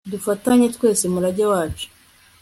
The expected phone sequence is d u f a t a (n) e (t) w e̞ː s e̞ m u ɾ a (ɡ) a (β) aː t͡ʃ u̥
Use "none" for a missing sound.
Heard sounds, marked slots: ɲ, t, ɟ, w

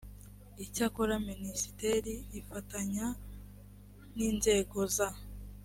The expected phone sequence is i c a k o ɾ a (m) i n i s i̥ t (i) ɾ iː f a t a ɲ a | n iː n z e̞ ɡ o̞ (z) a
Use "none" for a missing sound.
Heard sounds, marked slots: m, e, z

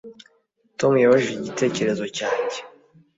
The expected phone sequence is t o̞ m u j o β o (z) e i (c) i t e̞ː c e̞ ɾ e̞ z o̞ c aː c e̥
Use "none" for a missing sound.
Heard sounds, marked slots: ʒ, ɟ

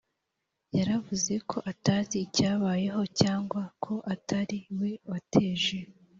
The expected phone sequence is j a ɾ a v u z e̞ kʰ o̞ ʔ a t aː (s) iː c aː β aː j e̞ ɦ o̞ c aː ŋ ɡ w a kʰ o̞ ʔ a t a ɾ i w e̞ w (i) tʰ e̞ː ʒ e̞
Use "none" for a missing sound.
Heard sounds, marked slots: z, a

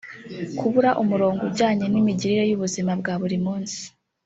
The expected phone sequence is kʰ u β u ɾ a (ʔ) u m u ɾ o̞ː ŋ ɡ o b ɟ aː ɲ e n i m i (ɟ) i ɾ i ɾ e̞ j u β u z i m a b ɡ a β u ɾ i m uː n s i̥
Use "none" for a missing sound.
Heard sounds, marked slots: ʔ, ɟ

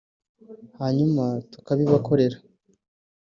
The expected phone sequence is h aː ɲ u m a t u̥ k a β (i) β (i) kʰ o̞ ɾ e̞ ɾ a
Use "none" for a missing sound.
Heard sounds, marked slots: i, a

